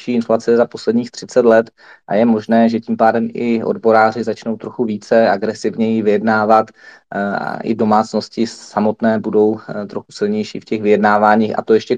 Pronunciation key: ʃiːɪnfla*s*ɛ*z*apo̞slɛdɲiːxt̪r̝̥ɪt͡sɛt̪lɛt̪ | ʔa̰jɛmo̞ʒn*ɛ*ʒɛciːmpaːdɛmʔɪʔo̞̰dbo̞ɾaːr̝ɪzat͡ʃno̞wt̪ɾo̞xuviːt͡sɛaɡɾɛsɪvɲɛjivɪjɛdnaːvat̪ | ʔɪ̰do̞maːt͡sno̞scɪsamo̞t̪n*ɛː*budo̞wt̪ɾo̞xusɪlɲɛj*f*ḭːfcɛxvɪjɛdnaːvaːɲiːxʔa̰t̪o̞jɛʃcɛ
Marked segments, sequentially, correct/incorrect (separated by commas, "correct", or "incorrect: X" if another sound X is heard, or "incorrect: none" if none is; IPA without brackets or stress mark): incorrect: t͡s, correct, incorrect: ɛː, correct, incorrect: ʃ